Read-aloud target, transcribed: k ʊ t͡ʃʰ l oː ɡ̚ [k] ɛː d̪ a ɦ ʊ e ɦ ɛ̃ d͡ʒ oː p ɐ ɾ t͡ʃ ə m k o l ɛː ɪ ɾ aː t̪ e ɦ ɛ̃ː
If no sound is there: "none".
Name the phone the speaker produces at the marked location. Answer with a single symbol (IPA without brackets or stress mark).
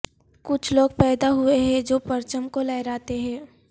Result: p